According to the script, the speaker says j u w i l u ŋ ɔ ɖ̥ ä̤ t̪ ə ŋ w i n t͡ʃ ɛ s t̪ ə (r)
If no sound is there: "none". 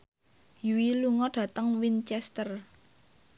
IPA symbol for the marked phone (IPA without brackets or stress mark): r